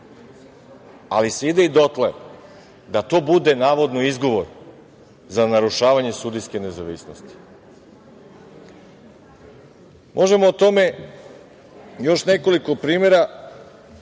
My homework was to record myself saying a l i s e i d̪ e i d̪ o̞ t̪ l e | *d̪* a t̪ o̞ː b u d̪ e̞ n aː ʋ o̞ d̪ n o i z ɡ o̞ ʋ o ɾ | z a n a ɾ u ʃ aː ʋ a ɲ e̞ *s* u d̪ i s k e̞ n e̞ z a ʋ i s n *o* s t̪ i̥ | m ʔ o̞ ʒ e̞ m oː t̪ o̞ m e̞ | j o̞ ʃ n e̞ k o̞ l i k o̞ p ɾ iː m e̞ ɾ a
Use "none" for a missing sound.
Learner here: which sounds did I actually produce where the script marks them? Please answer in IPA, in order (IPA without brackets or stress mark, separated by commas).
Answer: d̪, s, o